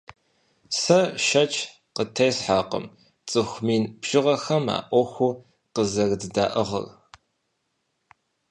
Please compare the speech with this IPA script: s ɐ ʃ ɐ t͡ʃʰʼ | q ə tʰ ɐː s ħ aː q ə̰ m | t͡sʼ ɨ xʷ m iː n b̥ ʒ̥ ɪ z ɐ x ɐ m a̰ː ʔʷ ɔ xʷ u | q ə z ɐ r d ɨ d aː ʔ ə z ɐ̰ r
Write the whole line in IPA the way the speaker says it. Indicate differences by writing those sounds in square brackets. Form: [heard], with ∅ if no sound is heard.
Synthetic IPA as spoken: s ɐ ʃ ɐ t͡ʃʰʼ | q ə tʰ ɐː s ħ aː q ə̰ m | t͡sʼ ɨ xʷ m iː n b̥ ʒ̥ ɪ [ʁ] ɐ x ɐ m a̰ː ʔʷ ɔ xʷ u | q ə z ɐ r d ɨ d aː ʔ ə [ʁ] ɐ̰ r